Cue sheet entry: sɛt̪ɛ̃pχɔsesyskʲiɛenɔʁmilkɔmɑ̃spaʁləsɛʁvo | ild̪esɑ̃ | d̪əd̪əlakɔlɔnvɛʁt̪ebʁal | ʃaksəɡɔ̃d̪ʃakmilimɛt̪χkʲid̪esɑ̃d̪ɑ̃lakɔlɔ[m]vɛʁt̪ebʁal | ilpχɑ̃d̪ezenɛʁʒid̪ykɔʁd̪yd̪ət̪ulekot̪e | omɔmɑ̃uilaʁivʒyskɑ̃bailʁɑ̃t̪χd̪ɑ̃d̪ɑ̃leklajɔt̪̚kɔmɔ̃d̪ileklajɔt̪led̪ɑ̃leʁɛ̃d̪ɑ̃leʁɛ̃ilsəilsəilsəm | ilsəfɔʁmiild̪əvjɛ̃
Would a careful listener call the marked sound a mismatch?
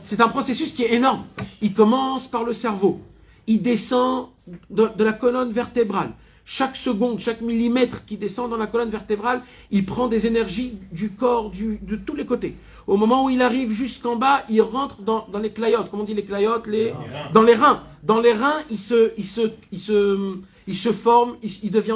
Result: yes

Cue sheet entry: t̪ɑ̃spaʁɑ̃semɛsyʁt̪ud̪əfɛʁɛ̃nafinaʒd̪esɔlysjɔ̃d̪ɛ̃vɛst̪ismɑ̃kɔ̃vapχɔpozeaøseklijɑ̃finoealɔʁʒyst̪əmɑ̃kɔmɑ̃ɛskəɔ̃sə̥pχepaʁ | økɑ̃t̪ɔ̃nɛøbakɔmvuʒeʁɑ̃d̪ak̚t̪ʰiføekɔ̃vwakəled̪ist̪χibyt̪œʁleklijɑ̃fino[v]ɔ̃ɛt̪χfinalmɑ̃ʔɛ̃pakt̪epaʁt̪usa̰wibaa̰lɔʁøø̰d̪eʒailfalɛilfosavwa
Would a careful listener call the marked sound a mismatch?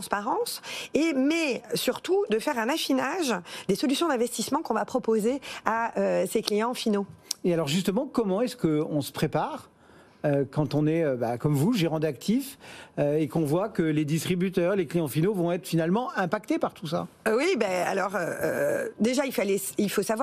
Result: no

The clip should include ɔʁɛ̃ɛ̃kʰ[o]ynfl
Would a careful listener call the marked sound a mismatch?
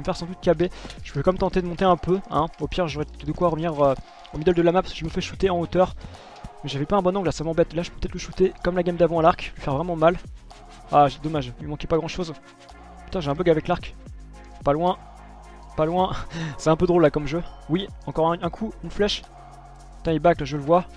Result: yes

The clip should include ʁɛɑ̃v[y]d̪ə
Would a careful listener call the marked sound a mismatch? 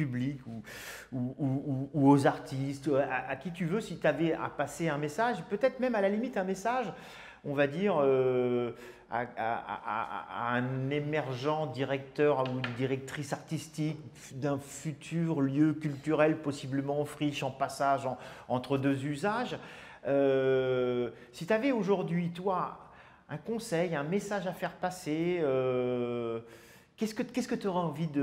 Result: yes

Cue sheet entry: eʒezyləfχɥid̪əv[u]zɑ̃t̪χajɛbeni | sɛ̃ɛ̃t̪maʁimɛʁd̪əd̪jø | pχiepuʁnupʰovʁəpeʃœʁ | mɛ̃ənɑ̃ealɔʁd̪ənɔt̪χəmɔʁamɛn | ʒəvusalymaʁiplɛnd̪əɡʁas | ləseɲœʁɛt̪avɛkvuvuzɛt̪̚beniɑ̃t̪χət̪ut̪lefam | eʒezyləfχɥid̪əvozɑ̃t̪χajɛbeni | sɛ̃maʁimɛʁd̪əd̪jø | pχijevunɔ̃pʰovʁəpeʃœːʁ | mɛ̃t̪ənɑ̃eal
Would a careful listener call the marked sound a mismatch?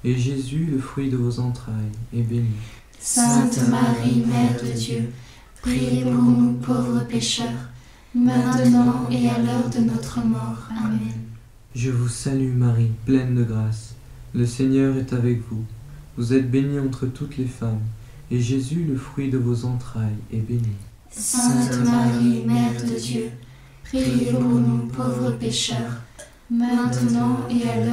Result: yes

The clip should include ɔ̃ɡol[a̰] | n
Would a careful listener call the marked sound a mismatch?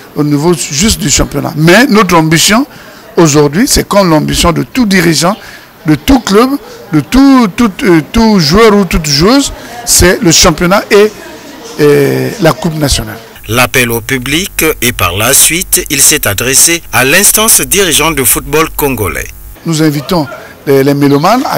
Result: yes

